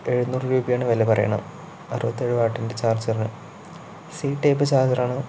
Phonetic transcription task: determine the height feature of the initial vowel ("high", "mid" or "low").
mid